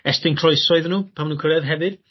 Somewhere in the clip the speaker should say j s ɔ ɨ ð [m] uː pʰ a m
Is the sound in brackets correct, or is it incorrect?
incorrect